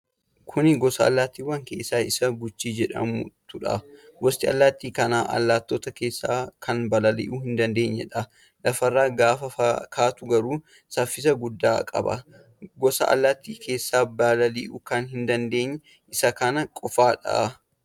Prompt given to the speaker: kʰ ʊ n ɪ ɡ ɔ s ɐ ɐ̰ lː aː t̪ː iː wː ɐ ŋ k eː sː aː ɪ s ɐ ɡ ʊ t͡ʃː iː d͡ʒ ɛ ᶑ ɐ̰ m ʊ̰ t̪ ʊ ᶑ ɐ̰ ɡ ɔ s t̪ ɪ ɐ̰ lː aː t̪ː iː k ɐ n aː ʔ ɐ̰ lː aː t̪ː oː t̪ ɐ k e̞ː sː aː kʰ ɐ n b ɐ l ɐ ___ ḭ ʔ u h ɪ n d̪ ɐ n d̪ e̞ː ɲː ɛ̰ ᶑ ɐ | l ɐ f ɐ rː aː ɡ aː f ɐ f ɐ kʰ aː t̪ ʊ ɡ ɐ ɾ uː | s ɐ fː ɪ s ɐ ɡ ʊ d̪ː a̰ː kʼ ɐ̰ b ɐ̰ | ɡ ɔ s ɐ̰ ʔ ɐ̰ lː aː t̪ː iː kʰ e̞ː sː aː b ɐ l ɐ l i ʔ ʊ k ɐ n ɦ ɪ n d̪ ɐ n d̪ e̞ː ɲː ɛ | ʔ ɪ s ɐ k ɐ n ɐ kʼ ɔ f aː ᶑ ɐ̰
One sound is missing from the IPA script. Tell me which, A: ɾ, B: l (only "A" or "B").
B